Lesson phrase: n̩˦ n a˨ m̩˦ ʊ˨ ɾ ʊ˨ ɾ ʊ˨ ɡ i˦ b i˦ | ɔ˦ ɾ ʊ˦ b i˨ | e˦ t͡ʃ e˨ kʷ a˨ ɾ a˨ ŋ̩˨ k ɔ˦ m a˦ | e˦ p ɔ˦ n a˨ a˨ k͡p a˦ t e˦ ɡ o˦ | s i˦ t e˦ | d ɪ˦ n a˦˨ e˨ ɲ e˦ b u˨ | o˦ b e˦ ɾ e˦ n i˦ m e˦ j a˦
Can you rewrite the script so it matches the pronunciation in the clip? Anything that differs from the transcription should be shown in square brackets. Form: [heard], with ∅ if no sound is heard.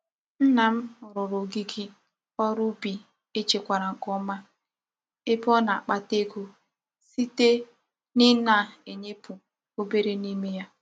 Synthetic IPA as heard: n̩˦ n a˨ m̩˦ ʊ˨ ɾ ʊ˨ ɾ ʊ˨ ɡ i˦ [ɡ] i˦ | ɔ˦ ɾ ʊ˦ b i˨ | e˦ t͡ʃ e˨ kʷ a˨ ɾ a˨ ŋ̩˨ k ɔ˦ m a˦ | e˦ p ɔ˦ n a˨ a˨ k͡p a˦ t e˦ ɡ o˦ | s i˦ t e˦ | [n] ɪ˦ n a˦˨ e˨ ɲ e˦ [p] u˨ | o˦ b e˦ ɾ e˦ n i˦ m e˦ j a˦